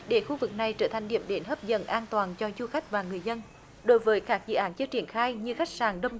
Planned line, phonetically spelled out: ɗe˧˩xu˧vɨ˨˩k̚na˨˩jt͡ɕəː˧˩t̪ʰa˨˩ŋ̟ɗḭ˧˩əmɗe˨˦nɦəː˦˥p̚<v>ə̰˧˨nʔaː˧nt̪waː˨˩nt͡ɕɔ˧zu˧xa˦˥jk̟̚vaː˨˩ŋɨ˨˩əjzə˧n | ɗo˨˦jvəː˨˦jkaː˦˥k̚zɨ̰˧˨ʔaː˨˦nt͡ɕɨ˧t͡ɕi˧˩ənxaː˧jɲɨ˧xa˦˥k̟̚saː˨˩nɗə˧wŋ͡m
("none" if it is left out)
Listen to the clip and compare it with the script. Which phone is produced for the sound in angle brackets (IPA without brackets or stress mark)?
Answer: z